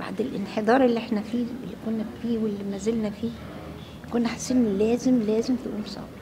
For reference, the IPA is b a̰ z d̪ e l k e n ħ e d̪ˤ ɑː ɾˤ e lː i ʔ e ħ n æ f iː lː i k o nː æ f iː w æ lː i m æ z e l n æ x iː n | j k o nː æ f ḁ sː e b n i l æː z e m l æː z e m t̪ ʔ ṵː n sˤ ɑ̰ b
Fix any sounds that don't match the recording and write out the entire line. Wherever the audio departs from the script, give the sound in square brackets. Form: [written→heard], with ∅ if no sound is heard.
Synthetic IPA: b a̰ [z→ʕ] d̪ e l [k→ʔ] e n ħ e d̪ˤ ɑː ɾˤ e lː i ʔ e ħ n æ f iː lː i k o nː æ f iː w [æ→e] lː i m æ z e l n æ [x→f] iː [n→∅] | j k o nː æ [f→ħ] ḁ sː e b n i l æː z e m l æː z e m t̪ ʔ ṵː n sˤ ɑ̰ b